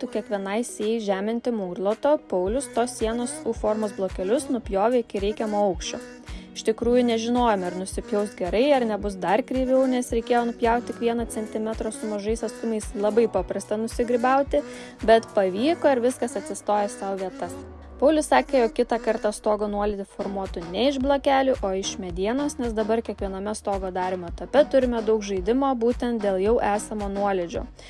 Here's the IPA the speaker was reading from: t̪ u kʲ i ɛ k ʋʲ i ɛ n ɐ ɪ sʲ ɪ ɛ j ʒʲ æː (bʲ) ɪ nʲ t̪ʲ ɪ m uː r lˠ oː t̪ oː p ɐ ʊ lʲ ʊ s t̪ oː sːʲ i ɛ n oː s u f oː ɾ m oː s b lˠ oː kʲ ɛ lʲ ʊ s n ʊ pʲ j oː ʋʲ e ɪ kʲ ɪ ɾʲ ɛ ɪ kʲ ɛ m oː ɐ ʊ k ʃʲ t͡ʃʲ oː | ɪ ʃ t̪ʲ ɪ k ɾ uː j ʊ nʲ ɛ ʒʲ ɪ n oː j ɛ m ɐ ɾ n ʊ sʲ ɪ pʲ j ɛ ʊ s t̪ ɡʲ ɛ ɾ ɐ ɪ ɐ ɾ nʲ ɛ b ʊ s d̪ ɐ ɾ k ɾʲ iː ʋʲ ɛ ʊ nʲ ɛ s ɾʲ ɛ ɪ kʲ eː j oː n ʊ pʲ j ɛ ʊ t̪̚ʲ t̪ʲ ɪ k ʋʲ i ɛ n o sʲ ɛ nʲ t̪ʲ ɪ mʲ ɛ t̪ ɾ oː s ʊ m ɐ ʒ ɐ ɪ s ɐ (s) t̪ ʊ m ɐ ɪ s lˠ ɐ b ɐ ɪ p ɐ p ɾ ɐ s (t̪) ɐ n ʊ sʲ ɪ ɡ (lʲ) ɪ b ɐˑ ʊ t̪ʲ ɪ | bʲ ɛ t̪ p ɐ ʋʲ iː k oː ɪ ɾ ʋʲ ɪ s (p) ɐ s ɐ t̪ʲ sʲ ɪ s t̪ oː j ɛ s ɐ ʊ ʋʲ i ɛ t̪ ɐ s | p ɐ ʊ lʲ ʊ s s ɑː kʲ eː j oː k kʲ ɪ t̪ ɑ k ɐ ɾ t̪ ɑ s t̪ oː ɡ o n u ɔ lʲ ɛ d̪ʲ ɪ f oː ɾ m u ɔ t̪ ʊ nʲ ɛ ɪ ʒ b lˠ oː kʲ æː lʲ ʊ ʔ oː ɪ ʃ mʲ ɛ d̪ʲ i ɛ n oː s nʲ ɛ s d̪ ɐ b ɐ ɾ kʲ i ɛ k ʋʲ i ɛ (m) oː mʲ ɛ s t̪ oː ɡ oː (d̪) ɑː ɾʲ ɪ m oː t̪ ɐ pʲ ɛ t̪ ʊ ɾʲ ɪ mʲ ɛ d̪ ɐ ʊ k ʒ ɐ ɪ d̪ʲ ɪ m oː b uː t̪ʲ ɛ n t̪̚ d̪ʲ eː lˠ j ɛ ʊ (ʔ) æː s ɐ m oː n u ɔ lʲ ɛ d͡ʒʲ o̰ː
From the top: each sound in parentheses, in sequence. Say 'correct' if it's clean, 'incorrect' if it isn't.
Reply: incorrect, correct, correct, incorrect, incorrect, incorrect, correct, correct

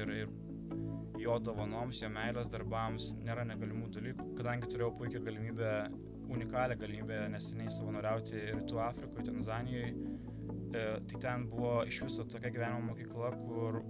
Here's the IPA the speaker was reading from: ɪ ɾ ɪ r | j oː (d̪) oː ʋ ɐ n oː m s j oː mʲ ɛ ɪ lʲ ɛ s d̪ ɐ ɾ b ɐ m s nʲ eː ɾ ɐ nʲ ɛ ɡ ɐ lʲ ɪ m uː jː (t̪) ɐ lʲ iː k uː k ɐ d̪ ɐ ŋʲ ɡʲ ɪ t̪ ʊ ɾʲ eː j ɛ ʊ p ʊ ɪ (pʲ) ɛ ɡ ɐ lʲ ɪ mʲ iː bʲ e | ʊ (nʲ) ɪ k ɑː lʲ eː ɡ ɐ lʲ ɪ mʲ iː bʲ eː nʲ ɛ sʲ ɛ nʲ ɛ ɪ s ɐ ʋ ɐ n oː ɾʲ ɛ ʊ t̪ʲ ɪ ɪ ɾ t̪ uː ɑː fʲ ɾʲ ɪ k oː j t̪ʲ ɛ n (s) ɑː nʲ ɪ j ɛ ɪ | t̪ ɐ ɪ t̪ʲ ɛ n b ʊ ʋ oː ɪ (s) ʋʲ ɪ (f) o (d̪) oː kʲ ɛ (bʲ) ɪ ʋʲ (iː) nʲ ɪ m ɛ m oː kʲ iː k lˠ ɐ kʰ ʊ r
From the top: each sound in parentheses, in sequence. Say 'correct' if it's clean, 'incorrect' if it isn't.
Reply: correct, incorrect, incorrect, correct, incorrect, incorrect, incorrect, incorrect, incorrect, incorrect

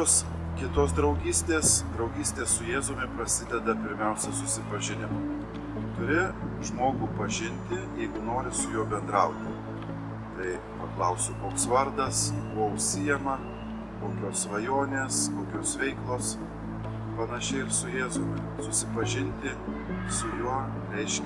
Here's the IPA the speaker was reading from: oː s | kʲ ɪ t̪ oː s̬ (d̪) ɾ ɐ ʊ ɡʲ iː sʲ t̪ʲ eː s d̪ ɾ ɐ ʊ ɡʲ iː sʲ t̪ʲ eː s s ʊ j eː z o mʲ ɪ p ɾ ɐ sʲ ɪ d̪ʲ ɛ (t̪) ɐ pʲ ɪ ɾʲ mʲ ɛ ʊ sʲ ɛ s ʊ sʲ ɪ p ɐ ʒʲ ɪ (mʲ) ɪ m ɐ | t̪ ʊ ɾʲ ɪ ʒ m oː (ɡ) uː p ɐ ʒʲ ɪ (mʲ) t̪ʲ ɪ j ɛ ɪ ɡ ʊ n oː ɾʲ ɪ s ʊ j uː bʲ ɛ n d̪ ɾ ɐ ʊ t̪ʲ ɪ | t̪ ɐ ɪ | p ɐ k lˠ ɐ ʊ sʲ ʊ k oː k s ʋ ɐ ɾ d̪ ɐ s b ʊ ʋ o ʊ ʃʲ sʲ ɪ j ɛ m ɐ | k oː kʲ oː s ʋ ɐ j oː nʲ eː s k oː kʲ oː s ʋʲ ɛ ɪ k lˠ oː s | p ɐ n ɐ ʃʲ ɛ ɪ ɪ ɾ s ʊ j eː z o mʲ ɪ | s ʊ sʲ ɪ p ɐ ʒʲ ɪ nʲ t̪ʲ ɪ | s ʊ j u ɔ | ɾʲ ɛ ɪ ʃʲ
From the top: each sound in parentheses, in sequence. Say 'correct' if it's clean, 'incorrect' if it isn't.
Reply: correct, incorrect, incorrect, correct, incorrect

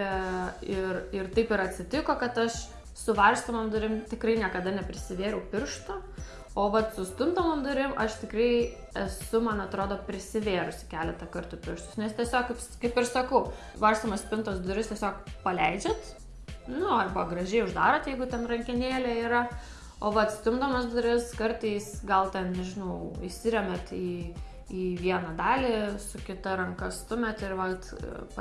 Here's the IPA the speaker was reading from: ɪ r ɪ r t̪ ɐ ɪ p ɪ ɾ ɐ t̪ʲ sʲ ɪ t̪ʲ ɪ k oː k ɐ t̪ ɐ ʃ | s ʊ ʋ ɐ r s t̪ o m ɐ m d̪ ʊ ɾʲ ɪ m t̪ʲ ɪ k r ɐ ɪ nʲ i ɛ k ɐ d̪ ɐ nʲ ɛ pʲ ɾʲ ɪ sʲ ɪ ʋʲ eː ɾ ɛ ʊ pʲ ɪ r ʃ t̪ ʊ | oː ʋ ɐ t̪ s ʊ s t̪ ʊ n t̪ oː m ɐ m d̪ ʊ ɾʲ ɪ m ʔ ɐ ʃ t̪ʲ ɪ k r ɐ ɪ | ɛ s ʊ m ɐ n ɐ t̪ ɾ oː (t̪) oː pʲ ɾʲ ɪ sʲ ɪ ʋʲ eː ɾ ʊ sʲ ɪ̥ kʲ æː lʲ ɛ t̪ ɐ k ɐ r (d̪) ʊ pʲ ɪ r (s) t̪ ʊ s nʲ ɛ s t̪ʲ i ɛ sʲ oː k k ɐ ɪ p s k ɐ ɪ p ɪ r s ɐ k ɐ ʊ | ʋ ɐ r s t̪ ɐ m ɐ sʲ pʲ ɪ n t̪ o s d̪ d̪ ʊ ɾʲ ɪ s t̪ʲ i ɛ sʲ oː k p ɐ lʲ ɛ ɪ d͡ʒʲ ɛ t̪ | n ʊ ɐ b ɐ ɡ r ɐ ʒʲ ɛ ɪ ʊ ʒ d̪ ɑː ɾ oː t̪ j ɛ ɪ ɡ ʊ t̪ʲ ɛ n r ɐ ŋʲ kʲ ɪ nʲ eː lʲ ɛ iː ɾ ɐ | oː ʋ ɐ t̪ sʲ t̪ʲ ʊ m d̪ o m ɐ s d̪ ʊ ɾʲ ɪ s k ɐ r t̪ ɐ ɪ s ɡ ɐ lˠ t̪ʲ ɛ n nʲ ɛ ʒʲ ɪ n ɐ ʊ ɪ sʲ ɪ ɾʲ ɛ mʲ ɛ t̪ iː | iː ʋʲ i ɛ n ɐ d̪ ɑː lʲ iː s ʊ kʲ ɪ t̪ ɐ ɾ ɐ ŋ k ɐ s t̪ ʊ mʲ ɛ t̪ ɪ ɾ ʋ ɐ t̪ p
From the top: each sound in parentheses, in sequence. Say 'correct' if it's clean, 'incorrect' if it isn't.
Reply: incorrect, incorrect, incorrect

